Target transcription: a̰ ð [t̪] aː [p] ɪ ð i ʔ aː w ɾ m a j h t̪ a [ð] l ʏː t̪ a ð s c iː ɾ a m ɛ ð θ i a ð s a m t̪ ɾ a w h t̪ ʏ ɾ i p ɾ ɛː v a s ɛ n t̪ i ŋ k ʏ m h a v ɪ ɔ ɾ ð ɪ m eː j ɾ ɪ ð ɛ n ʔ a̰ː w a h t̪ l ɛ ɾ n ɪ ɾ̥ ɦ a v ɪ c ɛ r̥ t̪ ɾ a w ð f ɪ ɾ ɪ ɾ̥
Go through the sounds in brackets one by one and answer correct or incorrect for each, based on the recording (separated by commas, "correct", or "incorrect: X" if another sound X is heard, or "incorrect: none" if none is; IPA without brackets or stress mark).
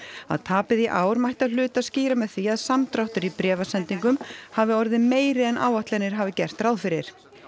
incorrect: t̪ʰ, correct, correct